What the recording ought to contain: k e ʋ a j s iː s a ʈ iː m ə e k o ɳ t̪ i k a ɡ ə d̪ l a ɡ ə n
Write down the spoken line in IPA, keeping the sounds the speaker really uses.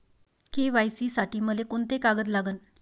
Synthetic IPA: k e ʋ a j s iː s a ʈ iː m ə e k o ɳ t̪ e k a ɡ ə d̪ l a ɡ ə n